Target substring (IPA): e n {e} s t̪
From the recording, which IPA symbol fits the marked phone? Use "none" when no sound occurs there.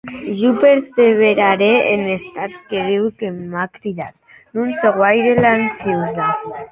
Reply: e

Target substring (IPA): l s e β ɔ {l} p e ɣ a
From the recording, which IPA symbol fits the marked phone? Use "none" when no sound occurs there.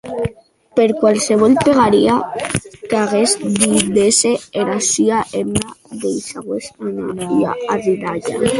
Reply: l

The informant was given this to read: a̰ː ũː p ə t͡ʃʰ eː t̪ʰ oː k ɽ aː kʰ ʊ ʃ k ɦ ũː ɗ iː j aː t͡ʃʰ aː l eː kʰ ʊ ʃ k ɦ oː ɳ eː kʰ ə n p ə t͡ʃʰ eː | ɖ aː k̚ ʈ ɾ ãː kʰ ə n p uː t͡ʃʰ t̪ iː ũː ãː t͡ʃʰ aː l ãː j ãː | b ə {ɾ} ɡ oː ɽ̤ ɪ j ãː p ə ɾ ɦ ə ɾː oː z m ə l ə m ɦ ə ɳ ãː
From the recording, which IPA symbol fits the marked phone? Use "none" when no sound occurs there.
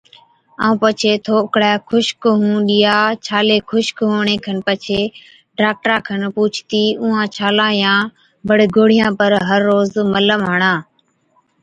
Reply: ɽ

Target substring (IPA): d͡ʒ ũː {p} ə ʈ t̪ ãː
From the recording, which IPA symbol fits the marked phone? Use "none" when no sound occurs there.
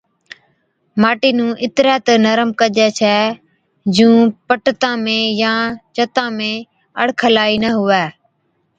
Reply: p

